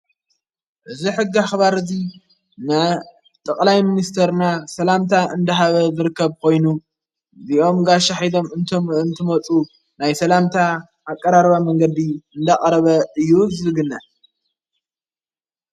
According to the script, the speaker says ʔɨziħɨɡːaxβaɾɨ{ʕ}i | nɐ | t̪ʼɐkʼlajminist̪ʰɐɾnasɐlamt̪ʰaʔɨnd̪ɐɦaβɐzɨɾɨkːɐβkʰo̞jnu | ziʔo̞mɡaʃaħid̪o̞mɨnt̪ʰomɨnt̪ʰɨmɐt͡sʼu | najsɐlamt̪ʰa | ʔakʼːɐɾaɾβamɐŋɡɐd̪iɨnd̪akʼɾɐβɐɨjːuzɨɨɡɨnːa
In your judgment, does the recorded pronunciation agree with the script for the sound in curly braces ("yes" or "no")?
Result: no